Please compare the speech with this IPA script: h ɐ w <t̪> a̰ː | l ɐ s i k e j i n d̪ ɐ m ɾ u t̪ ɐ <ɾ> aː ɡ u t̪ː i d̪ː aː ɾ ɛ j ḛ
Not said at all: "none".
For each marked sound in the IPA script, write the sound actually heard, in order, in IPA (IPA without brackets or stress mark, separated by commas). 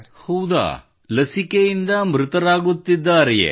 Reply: d̪, ɾ